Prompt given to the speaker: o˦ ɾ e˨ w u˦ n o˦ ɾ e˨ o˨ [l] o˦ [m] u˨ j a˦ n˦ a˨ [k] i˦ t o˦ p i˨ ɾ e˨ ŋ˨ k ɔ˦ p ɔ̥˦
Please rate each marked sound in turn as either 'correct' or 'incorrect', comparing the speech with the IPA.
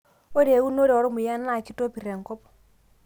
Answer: incorrect: ɾ, correct, correct

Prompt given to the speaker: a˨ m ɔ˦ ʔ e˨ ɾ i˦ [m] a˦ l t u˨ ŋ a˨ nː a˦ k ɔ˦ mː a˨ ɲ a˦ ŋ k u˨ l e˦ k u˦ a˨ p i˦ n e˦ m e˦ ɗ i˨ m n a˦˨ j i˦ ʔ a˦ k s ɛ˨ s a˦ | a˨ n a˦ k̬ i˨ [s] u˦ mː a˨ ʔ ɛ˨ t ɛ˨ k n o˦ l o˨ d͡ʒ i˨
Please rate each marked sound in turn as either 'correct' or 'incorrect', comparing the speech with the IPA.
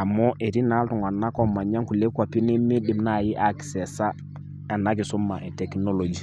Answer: incorrect: n, correct

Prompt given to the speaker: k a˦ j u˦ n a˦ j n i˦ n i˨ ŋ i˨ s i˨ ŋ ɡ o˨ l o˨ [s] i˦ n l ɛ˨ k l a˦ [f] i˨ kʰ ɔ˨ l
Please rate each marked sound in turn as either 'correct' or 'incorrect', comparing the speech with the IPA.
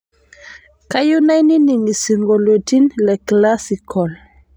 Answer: incorrect: t, incorrect: s

